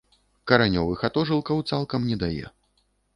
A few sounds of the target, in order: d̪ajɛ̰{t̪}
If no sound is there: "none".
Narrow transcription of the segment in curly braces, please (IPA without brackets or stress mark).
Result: none